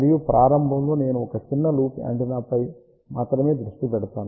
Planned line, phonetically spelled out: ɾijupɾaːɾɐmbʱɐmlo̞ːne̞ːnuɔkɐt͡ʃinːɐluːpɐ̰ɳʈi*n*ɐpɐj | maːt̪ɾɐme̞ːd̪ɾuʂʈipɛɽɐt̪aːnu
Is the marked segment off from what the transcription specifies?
no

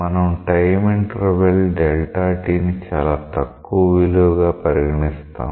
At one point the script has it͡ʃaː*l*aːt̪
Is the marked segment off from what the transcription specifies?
no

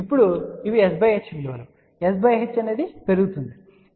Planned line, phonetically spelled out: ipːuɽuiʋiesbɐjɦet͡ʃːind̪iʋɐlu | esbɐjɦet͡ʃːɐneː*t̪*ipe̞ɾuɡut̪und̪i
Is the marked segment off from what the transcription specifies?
yes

